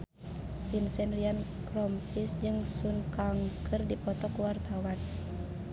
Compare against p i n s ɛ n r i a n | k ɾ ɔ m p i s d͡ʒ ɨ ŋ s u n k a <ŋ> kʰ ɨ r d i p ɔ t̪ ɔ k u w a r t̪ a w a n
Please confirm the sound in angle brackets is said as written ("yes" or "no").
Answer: yes